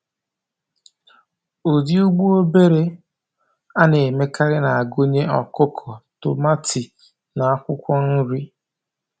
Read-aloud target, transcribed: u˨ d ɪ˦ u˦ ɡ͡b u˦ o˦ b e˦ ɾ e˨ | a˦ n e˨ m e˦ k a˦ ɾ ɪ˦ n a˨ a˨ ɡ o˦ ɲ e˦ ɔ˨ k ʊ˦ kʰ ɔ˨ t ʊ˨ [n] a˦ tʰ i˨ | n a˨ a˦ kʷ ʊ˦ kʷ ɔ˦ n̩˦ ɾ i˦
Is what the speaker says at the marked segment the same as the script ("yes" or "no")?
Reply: no